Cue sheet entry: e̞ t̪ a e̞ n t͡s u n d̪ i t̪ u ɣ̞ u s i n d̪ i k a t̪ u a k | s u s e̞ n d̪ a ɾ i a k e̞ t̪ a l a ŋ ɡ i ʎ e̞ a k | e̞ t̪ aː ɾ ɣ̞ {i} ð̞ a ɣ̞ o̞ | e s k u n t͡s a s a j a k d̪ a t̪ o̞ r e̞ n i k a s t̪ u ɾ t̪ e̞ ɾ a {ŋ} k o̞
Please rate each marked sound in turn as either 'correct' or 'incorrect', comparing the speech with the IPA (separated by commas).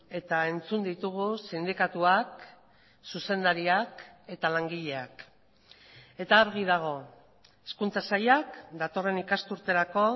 correct, incorrect